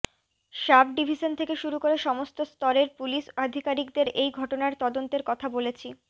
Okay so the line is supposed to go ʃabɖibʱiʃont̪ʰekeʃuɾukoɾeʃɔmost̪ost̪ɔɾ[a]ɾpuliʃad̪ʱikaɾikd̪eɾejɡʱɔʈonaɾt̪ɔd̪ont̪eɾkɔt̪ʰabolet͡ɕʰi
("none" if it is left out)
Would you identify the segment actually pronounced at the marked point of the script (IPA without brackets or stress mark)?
e